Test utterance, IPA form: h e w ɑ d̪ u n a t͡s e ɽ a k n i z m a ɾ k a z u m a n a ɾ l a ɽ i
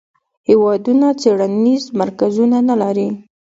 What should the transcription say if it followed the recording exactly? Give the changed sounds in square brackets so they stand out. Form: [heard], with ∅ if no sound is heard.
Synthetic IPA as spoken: h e w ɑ d̪ u n a t͡s e ɽ a [∅] n i z m a ɾ k a z u [n] a n a [∅] l a [ɾ] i